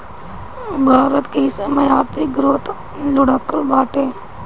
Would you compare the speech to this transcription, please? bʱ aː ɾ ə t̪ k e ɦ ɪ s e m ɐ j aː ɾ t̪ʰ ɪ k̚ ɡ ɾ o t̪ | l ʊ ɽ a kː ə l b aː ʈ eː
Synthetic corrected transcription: bʱ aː ɾ ə t̪ k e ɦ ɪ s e m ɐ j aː ɾ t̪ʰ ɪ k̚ ɡ ɾ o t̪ | l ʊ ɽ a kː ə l b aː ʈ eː